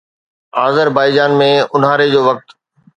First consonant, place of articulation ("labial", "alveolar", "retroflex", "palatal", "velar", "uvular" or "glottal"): alveolar